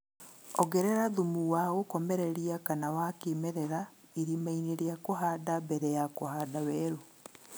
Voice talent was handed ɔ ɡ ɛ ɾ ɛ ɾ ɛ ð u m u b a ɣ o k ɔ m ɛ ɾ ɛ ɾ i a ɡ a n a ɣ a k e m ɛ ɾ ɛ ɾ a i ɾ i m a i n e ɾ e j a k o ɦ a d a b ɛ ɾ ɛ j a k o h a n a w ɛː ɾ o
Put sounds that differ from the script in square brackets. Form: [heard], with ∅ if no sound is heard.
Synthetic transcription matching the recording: ɔ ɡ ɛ ɾ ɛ ɾ [a] ð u m u [w] a ɣ o k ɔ m ɛ ɾ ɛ ɾ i a [k] a n a [w] a k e m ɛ ɾ ɛ ɾ a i ɾ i m a i n e ɾ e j a k o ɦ a d a b ɛ ɾ ɛ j a k o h a [d] a w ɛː ɾ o